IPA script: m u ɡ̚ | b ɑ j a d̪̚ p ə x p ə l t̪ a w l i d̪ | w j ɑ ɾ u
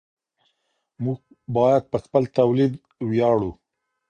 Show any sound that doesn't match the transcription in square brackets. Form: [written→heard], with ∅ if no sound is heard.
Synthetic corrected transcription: m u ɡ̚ | b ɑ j a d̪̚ p ə x p ə l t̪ a w l i d̪ | w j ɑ [ɾ→ɽ] u